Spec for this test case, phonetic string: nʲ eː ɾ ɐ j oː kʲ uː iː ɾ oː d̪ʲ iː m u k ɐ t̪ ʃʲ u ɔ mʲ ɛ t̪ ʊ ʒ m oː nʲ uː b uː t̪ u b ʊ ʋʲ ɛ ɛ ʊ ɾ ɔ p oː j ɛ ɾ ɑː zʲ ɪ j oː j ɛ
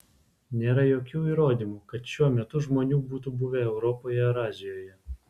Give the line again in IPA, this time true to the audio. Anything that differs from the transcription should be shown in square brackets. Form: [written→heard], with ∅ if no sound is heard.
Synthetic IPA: nʲ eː ɾ ɐ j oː kʲ uː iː ɾ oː d̪ʲ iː m u k ɐ t̪ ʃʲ u ɔ mʲ ɛ t̪ ʊ ʒ m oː nʲ uː b uː t̪ u b ʊ ʋʲ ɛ ɛ ʊ ɾ ɔ p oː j ɛ ɾ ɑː zʲ ɪ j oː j ɛ